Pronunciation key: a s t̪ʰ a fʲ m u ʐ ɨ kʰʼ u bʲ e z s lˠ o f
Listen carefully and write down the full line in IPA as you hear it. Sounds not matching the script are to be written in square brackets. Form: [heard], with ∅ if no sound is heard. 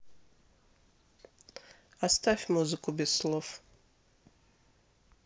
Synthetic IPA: a s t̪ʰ a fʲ m u [z] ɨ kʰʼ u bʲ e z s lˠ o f